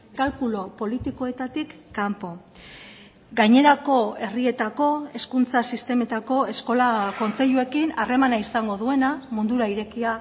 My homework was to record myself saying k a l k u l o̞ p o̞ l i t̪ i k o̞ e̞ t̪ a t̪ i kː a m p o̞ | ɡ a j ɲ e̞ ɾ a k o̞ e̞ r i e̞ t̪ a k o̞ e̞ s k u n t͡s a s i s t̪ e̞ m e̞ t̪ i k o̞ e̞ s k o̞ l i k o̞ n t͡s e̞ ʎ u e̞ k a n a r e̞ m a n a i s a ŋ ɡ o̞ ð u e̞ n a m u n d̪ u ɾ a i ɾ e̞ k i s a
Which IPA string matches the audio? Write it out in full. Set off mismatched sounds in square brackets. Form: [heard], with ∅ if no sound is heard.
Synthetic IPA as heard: k a l k u l o̞ p o̞ l i t̪ i k o̞ e̞ t̪ a t̪ i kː a m p o̞ | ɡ a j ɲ e̞ ɾ a k o̞ e̞ r i e̞ t̪ a k o̞ e̞ s k u n t͡s a s i s t̪ e̞ m e̞ t̪ [a] k o̞ e̞ s k o̞ l [a] k o̞ n t͡s e̞ ʎ u e̞ k [i] n a r e̞ m a n a i s a ŋ ɡ o̞ ð u e̞ n a m u n d̪ u ɾ a i ɾ e̞ k i [∅] a